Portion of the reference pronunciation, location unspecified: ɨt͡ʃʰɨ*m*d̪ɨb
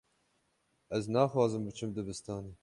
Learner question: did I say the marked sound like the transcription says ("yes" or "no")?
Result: yes